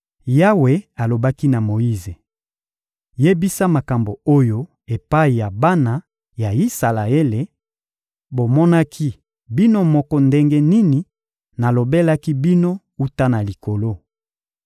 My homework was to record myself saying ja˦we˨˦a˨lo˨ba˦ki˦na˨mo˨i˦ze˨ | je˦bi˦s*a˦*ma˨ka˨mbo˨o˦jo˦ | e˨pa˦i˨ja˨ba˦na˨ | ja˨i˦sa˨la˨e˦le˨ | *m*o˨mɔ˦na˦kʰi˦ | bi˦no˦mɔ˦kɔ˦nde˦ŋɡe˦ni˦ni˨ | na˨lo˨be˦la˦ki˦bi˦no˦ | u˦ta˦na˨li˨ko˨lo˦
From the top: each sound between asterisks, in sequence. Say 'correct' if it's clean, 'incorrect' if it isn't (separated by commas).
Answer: correct, incorrect